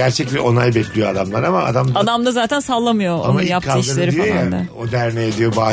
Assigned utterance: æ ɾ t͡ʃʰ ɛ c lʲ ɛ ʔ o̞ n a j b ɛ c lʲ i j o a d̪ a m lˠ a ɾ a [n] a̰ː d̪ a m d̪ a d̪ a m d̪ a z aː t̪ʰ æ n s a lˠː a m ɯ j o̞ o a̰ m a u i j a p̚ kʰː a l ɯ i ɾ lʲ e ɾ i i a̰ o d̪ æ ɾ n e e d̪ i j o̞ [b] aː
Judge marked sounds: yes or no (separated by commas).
no, yes